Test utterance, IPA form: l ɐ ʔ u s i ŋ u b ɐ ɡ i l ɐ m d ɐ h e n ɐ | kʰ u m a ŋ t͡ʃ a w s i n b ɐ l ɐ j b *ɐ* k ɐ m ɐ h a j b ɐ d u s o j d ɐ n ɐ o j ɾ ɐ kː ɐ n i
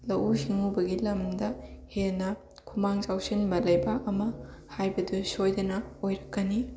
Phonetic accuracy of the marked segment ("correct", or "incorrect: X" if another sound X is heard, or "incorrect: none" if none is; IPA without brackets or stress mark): incorrect: a